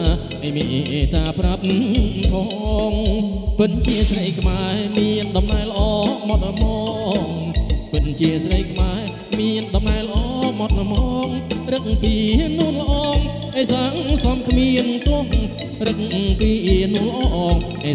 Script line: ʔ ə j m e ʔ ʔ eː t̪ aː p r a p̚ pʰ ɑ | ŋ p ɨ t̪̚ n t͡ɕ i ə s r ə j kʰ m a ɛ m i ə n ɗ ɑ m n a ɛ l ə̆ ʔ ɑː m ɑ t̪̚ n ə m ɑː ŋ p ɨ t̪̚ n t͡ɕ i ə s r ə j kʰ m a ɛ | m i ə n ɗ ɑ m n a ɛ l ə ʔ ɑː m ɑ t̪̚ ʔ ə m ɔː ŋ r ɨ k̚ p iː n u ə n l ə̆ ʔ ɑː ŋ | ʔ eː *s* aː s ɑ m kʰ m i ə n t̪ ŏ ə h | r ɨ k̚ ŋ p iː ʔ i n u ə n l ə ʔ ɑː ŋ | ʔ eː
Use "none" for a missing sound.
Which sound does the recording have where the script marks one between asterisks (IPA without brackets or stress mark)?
s